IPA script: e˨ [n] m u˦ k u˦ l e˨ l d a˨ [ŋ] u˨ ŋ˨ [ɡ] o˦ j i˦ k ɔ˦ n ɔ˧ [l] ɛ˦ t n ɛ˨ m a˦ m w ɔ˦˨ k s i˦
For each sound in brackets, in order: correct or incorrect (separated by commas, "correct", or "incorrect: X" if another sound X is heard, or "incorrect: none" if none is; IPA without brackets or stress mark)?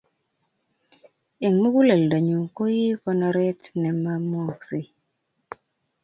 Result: incorrect: ŋ, incorrect: ɲ, incorrect: k, incorrect: ɾ